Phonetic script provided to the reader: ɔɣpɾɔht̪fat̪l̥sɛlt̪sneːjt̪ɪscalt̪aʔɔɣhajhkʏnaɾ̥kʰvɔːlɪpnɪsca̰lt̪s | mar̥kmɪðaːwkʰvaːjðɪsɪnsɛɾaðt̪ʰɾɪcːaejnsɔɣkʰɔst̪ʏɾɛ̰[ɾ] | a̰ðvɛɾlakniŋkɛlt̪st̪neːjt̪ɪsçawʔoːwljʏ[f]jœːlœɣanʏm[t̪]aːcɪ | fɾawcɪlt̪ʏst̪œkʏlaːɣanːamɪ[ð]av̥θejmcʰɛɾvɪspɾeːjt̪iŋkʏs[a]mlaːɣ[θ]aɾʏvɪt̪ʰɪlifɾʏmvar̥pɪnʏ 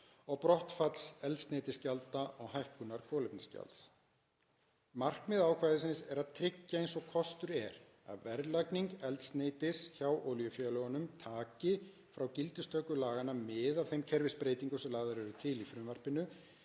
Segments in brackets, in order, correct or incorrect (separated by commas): correct, correct, incorrect, correct, incorrect, incorrect